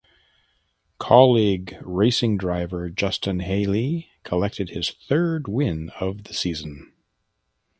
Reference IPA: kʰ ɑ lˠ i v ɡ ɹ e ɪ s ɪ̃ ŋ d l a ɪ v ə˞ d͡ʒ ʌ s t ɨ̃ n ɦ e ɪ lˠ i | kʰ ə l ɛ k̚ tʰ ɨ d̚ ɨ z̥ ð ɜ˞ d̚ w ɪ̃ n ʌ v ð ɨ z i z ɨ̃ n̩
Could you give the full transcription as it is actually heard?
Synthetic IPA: kʰ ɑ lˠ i ɡ ɹ e ɪ s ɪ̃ ŋ d ɹ a ɪ v ə˞ d͡ʒ ʌ s t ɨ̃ n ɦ e ɪ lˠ i | kʰ ə l ɛ k̚ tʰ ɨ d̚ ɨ z̥ θ ɜ˞ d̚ w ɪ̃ n ʌ v ð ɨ s i z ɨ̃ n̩

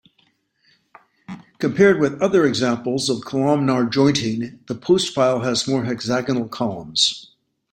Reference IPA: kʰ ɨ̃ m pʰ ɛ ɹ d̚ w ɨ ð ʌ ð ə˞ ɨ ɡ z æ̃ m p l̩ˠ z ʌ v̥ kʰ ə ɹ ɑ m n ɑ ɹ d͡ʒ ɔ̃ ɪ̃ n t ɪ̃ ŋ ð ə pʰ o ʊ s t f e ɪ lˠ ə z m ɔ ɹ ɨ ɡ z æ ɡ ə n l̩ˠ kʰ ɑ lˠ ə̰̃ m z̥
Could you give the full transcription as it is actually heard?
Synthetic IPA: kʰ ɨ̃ m pʰ ɛ ɹ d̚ w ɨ ð ʌ ð ə˞ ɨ ɡ z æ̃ m p l̩ˠ z ʌ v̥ kʰ ə l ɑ m n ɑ ɹ d͡ʒ ɔ̃ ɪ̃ n t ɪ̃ ŋ ð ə pʰ o ʊ s t f a ɪ lˠ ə z m ɔ ɹ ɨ ɡ z æ ɡ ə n l̩ˠ kʰ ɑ lˠ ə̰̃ m z̥

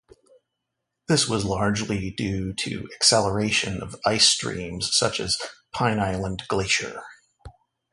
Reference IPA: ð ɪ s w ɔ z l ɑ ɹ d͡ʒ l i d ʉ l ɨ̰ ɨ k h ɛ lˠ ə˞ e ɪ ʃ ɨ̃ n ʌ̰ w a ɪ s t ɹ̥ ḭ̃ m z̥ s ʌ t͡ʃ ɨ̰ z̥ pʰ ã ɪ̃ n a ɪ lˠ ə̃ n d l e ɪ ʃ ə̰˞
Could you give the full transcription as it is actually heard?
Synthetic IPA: ð ɪ s w ʌ z l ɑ ɹ d͡ʒ l i d ʉ ɾ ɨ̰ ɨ k s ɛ lˠ ə˞ e ɪ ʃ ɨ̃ n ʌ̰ v a ɪ s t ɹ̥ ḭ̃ m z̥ s ʌ t͡ʃ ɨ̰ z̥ pʰ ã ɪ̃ n a ɪ lˠ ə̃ n ɡ l e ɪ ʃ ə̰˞

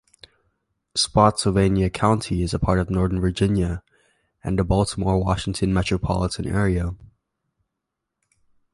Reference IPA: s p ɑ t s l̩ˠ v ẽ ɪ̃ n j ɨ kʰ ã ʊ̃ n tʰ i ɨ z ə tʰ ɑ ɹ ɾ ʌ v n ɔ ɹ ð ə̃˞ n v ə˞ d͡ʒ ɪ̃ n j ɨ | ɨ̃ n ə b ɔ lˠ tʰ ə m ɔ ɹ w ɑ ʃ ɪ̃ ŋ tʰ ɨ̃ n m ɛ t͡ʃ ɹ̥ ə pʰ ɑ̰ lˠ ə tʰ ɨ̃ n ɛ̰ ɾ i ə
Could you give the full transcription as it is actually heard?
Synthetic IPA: s p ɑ t s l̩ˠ v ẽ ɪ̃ n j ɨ kʰ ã ʊ̃ n tʰ i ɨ z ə pʰ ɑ ɹ ɾ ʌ v n ɔ ɹ ð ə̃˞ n v ə˞ d͡ʒ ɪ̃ n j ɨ | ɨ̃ n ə b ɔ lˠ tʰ ə m ɔ ɹ w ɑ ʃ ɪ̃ ŋ tʰ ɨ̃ n m ɛ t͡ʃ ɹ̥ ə pʰ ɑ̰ lˠ ə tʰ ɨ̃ n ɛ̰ ɹ i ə

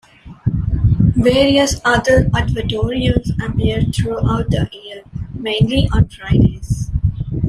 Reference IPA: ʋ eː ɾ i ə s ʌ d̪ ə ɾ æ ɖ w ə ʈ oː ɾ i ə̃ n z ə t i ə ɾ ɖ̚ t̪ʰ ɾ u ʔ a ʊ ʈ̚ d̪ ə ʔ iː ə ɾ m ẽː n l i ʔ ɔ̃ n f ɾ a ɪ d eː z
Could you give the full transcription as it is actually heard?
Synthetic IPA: ʋ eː ɾ i ə s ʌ d̪ ə ɾ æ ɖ ʋ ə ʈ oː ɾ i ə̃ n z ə p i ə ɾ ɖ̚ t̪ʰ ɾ u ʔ a ʊ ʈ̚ d̪ ə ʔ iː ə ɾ m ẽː n l i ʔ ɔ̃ n f ɾ a ɪ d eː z

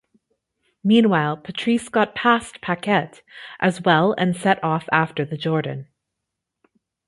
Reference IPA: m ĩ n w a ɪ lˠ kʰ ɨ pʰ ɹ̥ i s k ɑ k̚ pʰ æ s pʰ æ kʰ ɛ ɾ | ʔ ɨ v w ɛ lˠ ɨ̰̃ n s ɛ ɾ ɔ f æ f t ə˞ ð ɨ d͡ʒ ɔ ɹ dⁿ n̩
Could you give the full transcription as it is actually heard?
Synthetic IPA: m ĩ n w a ɪ lˠ pʰ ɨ tʰ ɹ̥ i s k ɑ t̚ pʰ æ s pʰ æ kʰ ɛ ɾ | ʔ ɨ z w ɛ lˠ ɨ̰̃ n s ɛ ɾ ɔ f æ f t ə˞ ð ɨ d͡ʒ ɔ ɹ dⁿ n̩

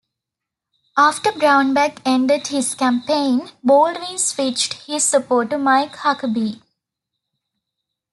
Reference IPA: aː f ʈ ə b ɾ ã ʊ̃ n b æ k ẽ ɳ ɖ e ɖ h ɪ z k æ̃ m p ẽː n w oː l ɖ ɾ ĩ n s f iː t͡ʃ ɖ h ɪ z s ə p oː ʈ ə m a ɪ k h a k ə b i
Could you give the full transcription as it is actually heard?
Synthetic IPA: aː f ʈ ə b ɾ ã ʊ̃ n b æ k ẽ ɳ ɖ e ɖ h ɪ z k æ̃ m p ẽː n b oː l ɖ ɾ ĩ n s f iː t͡ʃ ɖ h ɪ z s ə p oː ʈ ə m a ɪ k h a k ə b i

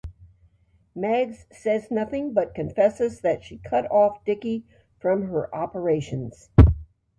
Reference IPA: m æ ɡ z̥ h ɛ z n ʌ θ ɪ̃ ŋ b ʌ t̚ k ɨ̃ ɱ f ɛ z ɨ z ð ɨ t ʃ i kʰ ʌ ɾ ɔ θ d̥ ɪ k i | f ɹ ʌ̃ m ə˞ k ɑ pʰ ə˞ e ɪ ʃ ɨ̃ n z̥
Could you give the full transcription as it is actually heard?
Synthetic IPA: m æ ɡ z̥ s ɛ z n ʌ θ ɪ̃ ŋ b ʌ t̚ k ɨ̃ ɱ f ɛ s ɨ z ð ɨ t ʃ i kʰ ʌ ɾ ɔ f d̥ ɪ k i | f ɹ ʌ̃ m ə˞ ʔ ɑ p ə˞ e ɪ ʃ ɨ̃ n z̥

